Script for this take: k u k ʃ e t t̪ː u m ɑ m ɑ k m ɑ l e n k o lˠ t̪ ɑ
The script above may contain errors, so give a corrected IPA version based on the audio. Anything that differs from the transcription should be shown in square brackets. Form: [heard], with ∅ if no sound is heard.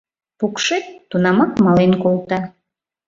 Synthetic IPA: [p] u k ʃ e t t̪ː u [n] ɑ m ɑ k m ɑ l e n k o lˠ t̪ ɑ

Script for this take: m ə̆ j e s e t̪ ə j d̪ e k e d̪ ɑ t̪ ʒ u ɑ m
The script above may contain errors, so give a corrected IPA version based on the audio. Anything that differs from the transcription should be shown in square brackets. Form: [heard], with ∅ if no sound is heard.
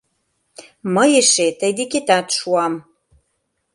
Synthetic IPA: m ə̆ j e [ʃ] e t̪ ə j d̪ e k e [t̪] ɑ t̪ [ʃ] u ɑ m

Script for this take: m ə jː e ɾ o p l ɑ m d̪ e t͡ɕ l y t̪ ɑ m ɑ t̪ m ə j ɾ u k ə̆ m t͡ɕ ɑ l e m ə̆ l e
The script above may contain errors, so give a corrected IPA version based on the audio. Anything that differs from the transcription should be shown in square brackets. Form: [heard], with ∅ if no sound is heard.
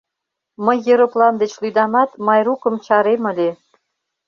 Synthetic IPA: m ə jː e ɾ o p l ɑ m d̪ e t͡ɕ l y [d̪] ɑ m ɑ t̪ m [ɑ] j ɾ u k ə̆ m t͡ɕ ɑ [ɾ] e m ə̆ l e

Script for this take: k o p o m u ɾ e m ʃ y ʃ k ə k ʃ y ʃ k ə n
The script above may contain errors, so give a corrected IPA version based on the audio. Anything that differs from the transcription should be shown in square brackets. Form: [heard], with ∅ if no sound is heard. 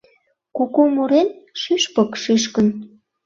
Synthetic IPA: k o [k] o m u ɾ e [n] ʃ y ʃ [p] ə k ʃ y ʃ k ə n

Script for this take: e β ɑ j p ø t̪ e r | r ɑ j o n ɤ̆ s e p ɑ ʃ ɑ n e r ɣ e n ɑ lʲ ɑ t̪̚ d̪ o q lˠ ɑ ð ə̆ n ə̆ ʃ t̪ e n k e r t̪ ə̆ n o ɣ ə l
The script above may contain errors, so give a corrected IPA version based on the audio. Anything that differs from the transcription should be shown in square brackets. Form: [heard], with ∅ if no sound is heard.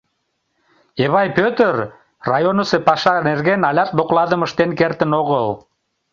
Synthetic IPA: e β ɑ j p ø t̪ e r | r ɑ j o n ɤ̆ s e p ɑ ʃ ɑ n e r ɣ e n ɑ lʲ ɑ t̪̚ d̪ o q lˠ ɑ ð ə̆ [m] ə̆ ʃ t̪ e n k e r t̪ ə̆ n o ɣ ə l

